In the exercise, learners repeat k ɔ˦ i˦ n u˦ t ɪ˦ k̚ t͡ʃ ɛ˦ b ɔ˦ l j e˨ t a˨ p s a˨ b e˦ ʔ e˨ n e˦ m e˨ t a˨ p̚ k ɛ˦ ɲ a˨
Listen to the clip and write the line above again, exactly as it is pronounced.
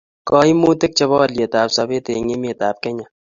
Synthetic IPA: k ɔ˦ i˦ m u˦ t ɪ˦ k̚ t͡ʃ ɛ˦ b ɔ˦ l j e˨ t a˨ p s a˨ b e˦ t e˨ ŋ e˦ m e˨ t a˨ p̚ k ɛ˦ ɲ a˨